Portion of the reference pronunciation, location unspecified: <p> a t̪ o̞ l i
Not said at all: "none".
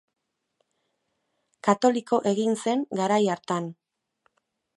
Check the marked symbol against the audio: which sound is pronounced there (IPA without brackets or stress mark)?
k